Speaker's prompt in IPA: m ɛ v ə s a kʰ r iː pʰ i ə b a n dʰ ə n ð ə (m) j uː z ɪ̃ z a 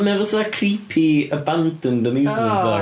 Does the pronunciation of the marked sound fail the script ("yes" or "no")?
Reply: no